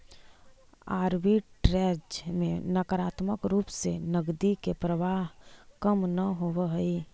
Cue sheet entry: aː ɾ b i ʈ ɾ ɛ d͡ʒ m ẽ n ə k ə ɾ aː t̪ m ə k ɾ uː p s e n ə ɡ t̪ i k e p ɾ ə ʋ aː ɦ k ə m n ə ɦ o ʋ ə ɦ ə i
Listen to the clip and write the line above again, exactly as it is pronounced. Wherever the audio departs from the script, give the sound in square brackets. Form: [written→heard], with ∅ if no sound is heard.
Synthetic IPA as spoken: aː ɾ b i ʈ ɾ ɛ d͡ʒ m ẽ n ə k ə ɾ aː t̪ m ə k ɾ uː p s e n ə ɡ [t̪→d̪] i k e p ɾ ə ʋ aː ɦ k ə m n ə ɦ o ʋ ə ɦ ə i